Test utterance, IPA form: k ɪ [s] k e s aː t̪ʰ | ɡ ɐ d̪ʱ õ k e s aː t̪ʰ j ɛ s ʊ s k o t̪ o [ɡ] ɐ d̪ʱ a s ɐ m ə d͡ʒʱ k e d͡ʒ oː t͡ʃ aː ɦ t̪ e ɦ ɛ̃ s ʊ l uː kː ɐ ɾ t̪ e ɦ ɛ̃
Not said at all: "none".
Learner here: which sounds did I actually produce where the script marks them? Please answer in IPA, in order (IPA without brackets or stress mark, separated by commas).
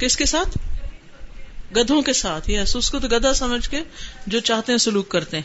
s, ɡ